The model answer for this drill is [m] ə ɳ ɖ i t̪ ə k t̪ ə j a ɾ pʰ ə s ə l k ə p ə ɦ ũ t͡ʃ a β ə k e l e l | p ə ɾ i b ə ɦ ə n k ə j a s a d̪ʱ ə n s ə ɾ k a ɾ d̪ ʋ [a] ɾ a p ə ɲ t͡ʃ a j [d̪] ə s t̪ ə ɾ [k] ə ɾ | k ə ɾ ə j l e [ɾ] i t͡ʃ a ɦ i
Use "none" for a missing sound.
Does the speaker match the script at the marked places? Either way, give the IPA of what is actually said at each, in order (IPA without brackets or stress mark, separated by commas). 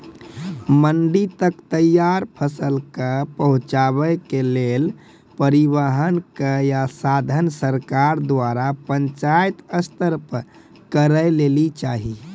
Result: m, a, t̪, p, l